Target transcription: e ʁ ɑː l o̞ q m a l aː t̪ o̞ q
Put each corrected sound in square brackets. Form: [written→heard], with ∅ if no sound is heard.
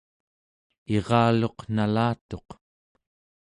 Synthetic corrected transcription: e ʁ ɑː l o̞ q [m→n] a l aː t̪ o̞ q